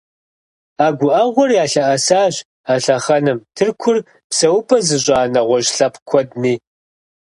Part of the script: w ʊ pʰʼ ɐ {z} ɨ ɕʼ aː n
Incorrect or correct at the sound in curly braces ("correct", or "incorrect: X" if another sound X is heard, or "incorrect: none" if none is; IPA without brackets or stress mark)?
correct